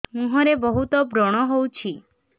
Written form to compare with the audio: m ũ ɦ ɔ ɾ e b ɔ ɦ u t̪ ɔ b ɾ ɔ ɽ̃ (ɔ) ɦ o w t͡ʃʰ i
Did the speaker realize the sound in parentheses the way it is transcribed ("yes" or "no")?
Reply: yes